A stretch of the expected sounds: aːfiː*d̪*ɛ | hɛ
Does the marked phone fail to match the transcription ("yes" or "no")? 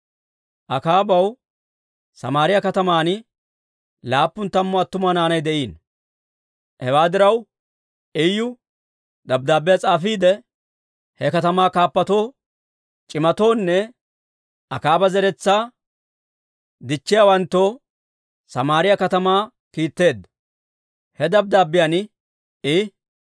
no